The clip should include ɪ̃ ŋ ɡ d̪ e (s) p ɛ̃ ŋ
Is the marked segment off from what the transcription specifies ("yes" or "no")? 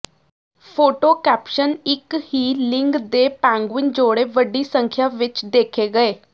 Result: yes